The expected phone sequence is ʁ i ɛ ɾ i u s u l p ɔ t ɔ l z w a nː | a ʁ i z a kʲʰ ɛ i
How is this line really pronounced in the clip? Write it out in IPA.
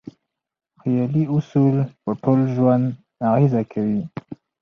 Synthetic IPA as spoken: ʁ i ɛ l i u s u l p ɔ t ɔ l ʒ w a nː | a ʁ i z a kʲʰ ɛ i